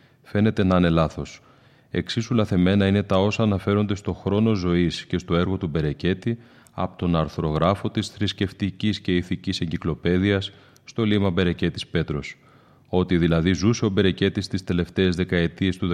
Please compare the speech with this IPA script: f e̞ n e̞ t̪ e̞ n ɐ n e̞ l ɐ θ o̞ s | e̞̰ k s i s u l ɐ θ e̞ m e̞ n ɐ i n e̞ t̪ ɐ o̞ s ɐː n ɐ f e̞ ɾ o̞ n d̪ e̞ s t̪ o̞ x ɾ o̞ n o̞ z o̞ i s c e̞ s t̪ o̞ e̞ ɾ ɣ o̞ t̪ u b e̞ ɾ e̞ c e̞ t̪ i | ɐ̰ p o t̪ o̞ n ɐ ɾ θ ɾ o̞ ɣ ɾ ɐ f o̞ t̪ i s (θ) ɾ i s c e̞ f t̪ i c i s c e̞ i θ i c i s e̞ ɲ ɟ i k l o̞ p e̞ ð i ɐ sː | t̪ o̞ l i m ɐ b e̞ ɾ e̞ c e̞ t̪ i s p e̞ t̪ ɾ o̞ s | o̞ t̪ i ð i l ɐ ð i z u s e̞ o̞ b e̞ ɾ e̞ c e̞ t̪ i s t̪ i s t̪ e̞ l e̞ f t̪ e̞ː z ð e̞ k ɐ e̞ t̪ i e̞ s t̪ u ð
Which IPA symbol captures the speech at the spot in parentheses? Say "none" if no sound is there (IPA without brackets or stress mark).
θ